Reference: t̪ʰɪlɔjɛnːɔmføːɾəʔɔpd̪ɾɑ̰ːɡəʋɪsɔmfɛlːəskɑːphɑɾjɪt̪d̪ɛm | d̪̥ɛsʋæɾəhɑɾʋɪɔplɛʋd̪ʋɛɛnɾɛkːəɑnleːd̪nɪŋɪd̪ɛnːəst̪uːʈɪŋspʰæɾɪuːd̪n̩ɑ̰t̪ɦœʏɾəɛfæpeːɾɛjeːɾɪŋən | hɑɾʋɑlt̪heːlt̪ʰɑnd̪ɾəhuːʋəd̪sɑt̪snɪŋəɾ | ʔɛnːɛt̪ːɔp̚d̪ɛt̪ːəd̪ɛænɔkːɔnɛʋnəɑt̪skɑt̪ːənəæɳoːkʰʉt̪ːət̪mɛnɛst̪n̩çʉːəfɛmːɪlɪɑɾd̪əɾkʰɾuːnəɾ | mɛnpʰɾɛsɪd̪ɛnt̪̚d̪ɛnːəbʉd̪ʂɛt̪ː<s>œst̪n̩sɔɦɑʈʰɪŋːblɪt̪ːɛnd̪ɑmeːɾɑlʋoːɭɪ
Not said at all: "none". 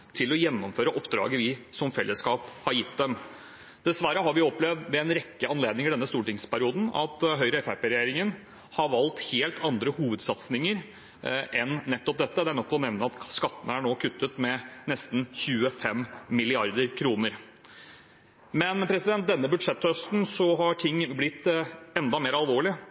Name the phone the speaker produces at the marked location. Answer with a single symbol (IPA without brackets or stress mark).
h